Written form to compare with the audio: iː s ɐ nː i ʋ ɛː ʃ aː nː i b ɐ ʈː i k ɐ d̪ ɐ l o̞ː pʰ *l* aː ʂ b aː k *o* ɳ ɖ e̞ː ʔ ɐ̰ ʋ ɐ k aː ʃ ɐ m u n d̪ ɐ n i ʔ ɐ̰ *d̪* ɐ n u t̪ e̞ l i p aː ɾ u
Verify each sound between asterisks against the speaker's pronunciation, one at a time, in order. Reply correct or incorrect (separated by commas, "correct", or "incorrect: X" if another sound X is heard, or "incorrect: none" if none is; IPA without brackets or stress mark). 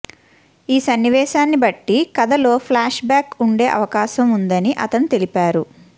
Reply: correct, incorrect: u, incorrect: t̪